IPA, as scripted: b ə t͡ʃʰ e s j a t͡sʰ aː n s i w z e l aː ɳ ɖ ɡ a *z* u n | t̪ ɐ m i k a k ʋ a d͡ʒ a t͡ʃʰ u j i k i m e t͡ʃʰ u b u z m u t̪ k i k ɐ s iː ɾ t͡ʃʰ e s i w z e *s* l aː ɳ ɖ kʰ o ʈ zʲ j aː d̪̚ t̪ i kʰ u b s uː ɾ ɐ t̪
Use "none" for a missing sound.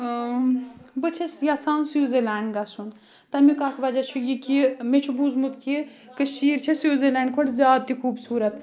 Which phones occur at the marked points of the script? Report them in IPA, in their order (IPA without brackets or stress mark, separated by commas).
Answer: s, none